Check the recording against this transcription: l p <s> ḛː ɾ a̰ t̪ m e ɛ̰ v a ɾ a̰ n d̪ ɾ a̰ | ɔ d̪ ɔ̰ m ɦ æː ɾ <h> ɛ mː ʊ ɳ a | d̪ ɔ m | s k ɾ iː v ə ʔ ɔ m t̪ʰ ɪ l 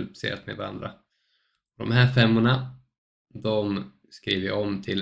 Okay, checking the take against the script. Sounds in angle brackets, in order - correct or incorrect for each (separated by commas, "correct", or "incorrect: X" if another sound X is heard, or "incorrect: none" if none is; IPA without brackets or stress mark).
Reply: correct, incorrect: f